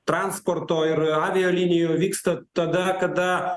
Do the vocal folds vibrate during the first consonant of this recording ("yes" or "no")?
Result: no